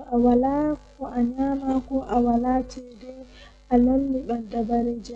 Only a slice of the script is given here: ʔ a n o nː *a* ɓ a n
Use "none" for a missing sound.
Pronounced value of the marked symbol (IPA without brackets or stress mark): i